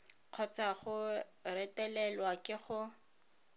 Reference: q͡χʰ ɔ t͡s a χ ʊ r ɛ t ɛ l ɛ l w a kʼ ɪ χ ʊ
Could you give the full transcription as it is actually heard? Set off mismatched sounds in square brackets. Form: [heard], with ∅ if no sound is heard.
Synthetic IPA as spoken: q͡χʰ ɔ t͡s a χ ʊ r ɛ t ɛ l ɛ l w a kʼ ɪ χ ʊ

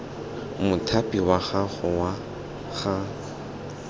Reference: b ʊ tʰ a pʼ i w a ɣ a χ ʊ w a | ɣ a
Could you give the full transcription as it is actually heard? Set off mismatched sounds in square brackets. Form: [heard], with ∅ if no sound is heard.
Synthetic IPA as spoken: [m] ʊ tʰ a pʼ i w a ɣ a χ ʊ w a | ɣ a

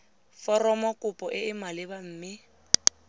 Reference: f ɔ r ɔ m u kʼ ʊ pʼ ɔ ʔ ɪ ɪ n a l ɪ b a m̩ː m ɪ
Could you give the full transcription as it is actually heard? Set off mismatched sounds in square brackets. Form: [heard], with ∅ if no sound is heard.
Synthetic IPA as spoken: f ɔ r ɔ m [ɔ] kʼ ʊ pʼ ɔ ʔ ɪ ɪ [m] a l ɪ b a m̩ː m ɪ

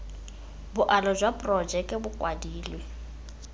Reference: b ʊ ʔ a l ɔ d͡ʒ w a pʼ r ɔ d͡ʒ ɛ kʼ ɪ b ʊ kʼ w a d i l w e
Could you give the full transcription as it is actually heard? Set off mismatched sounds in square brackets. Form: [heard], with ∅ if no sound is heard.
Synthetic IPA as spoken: b ʊ ʔ a l ɔ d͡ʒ w a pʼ r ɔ d͡ʒ ɛ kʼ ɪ b ʊ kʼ w a d [iː] l w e

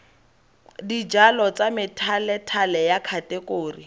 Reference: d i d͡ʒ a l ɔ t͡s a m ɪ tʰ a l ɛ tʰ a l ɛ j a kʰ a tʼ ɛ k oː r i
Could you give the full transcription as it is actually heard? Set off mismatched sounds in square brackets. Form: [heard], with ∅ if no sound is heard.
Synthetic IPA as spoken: d i d͡ʒ a l ɔ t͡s a m ɪ tʰ a l ɛ tʰ a l ɛ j a kʰ a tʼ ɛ k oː r i

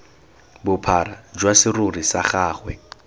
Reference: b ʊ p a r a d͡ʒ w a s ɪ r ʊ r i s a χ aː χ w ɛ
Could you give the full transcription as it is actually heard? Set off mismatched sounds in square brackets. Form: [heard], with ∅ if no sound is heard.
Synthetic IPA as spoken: b ʊ [pʰ] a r a d͡ʒ w a s ɪ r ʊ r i s a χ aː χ w ɛ

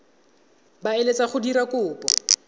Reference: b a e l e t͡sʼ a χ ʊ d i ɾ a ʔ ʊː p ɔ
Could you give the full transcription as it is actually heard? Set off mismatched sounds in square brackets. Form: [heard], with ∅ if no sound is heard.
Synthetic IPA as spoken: b a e l e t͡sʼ a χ ʊ d i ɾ a [k] ʊː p ɔ

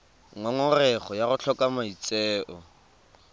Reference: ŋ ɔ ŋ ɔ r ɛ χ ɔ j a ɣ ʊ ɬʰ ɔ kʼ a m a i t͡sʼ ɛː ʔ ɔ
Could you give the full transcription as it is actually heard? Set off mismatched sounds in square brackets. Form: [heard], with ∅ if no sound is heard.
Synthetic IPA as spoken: ŋ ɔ ŋ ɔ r ɛ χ ɔ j a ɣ ʊ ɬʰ ɔ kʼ a m a i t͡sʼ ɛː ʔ ɔ

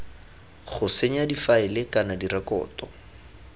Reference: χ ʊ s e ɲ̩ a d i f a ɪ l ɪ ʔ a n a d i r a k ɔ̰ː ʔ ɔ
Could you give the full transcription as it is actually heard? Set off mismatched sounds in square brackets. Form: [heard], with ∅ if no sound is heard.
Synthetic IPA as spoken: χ ʊ s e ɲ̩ a d i f a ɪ l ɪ [k] a n a d i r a k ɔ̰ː [t] ɔ

